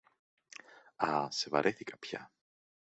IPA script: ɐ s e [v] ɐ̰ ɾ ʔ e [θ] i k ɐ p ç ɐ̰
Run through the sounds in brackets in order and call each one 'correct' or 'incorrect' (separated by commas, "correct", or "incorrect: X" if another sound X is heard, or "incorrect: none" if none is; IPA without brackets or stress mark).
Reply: correct, correct